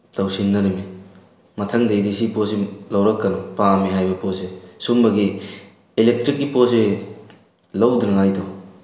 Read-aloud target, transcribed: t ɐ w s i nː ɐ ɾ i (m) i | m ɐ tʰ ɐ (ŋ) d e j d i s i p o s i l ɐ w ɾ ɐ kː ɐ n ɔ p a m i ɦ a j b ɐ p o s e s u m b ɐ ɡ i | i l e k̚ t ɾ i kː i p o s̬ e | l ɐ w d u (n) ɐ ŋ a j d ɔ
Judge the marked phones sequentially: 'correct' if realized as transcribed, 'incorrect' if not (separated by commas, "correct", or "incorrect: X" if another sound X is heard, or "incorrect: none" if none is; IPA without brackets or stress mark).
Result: correct, correct, correct